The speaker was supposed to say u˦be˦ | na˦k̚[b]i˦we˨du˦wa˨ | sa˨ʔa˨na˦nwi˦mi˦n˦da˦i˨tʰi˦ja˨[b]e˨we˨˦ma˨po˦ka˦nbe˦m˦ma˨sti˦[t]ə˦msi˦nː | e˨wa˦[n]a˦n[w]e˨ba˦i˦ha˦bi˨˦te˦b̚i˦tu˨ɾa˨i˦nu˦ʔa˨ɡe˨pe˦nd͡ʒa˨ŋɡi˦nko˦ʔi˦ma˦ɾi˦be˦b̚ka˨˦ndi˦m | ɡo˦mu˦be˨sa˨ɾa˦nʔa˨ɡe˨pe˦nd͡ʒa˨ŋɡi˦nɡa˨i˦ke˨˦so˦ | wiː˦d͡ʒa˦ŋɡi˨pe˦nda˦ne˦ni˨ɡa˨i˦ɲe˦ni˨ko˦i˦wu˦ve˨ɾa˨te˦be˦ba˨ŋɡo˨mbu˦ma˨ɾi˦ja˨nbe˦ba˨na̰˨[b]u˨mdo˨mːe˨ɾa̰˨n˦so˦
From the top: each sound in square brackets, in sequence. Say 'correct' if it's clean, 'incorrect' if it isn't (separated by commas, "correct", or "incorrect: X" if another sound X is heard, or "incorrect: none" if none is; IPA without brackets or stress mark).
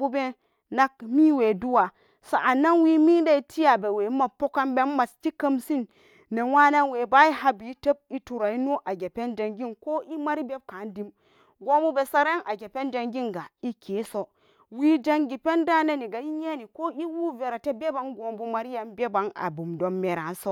incorrect: m, correct, incorrect: k, correct, correct, correct